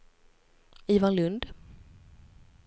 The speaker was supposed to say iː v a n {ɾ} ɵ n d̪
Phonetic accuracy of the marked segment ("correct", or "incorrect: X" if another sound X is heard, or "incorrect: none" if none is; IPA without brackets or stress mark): incorrect: l